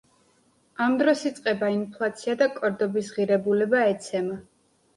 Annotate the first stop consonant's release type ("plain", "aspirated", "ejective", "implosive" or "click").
plain